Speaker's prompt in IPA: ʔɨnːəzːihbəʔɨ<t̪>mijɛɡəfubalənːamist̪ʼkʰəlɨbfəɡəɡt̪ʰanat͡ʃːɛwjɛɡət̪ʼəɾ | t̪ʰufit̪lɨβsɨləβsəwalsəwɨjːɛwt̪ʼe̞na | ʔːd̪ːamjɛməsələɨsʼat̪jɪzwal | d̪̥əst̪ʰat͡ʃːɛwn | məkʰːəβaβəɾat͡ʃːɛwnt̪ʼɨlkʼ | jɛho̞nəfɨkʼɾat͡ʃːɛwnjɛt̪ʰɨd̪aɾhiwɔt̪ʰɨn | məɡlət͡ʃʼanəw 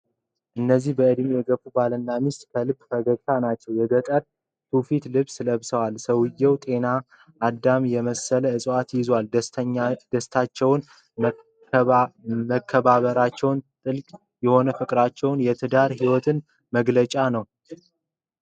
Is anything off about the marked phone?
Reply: yes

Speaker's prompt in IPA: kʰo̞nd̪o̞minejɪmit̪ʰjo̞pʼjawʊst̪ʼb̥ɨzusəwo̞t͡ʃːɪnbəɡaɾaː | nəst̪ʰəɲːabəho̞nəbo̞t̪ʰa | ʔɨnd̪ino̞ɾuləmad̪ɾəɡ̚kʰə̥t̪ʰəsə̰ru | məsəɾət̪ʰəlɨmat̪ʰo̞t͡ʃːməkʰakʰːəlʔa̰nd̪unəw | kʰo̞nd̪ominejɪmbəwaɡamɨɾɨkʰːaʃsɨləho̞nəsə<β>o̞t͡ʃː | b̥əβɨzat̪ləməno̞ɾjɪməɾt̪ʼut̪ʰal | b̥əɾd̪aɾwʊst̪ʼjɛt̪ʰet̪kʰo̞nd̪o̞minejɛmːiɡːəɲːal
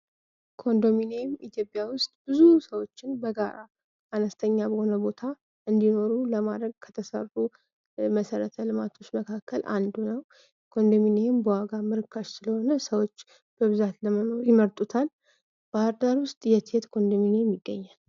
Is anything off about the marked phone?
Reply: yes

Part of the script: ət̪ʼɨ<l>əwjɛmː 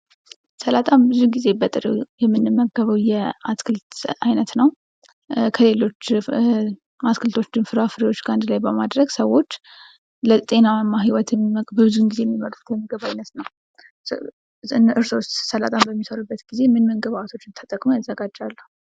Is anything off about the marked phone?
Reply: yes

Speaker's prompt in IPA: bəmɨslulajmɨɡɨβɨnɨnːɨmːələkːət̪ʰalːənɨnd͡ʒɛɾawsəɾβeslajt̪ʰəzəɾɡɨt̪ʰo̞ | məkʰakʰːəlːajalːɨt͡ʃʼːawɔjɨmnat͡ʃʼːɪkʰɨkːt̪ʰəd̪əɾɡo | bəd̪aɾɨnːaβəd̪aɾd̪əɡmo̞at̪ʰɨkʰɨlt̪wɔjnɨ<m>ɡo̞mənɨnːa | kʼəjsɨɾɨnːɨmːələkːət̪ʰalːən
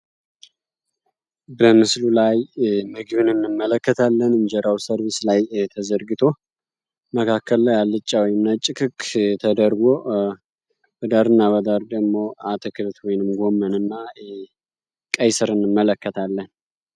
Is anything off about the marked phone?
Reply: no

